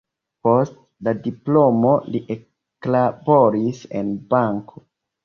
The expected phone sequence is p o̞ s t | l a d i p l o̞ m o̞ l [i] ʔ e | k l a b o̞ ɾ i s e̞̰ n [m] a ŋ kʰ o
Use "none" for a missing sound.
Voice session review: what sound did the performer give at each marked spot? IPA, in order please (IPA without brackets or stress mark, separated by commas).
i, b